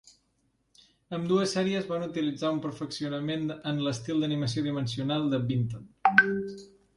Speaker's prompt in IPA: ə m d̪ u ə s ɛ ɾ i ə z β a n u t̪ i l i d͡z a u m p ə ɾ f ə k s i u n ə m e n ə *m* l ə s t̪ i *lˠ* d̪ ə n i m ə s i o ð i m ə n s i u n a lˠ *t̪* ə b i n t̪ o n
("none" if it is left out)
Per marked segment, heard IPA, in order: n, lˠ, d̪

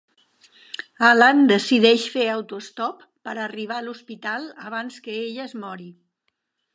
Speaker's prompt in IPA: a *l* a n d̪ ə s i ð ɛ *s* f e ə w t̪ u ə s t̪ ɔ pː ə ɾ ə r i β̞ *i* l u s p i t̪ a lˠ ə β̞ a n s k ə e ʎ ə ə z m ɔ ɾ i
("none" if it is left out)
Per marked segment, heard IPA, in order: l, ʃ, a

